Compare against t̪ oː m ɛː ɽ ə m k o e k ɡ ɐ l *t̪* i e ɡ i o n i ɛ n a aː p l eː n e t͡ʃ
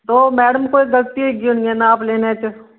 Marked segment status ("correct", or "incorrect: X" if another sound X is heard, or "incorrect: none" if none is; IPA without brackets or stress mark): correct